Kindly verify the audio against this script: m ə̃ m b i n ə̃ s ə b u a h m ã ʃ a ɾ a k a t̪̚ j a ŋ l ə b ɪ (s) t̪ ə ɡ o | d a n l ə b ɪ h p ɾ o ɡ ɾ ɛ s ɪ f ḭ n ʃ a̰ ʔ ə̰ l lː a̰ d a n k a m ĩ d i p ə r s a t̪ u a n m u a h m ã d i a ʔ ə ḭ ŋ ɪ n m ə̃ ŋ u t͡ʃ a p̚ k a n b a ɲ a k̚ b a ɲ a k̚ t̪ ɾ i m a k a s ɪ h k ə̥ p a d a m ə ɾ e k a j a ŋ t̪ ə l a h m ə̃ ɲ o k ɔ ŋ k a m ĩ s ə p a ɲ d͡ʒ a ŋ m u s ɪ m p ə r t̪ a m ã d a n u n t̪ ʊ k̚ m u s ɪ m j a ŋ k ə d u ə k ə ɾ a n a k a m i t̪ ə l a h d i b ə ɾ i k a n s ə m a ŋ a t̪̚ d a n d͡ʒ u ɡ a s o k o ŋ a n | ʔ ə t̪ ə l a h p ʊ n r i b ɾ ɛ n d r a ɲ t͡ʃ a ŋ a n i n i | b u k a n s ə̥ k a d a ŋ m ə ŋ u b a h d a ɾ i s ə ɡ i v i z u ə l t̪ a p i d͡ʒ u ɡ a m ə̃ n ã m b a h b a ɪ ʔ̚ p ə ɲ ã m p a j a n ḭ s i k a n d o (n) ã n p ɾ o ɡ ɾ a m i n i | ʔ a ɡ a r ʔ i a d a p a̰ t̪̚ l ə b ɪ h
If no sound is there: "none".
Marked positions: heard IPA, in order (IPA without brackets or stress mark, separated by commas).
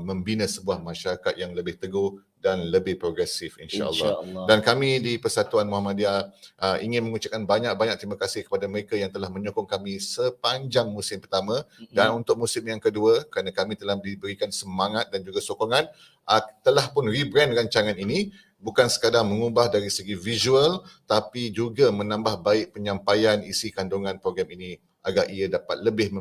h, ŋ